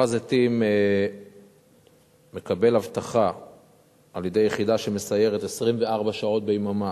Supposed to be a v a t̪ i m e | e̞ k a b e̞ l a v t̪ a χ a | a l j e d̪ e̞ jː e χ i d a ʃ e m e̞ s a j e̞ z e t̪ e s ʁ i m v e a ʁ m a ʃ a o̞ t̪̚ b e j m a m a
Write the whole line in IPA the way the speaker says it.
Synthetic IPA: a z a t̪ i m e | e̞ k a b e̞ l a v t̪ a χ a | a l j e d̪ e̞ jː e χ i d a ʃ e m e̞ s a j e̞ ʁ e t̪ e s ʁ i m v e a ʁ b a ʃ a o̞ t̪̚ b e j m a m a